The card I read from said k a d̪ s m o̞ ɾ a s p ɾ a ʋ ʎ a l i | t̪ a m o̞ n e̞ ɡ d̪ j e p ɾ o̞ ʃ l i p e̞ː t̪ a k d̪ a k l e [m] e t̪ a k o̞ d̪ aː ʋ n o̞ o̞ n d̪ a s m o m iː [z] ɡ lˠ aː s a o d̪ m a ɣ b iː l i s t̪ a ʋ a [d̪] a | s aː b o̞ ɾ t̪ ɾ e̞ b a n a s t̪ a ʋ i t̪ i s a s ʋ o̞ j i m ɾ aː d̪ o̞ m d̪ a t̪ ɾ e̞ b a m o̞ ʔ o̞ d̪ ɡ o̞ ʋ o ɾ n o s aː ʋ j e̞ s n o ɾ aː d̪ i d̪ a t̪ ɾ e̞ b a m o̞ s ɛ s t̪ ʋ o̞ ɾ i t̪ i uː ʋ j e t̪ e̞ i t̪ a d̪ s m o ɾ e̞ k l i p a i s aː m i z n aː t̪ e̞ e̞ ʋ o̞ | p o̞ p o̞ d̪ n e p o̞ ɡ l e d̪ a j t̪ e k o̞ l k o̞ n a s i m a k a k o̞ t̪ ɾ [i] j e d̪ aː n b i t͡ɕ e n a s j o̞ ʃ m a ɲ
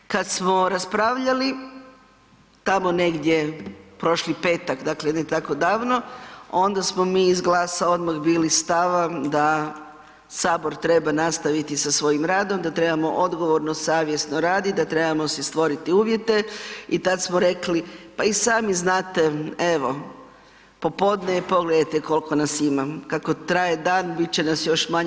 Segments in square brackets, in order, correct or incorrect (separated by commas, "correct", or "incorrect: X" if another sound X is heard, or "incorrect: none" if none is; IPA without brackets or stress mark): incorrect: n, correct, correct, incorrect: a